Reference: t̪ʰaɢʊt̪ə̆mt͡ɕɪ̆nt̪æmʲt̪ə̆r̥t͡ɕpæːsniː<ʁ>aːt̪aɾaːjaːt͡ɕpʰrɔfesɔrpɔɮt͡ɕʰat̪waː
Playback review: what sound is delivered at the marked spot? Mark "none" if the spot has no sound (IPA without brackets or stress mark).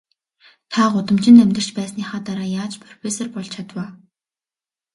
χ